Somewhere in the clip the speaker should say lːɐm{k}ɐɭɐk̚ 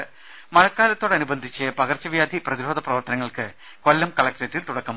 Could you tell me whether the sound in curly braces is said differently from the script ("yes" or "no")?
no